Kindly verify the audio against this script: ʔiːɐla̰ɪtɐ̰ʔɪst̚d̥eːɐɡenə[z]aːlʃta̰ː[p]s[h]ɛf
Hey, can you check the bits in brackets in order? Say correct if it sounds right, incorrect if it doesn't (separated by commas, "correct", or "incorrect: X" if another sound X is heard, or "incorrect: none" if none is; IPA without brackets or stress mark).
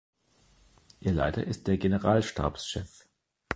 incorrect: ʁ, correct, incorrect: ʃ